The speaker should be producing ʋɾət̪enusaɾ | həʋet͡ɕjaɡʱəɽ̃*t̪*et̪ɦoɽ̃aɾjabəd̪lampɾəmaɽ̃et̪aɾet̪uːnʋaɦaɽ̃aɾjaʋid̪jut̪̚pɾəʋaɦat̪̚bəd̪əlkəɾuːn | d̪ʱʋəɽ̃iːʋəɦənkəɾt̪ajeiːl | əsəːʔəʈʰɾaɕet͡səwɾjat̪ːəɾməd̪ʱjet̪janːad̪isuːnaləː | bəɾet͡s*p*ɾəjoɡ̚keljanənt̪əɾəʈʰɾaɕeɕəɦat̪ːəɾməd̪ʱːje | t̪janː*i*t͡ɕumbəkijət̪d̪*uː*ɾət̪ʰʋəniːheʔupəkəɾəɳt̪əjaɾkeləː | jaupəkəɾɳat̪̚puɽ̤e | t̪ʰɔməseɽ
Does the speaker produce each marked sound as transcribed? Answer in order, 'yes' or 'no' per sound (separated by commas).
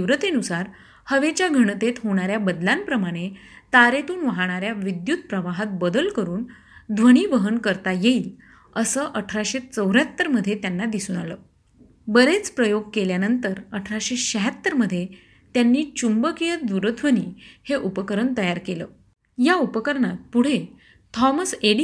yes, yes, no, no